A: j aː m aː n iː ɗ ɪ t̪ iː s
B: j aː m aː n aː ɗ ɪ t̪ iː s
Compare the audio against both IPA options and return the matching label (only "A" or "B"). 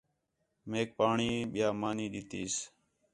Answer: A